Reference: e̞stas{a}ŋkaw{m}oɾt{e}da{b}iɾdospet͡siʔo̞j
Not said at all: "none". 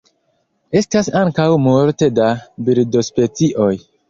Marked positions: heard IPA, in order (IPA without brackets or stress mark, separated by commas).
a, m, e, b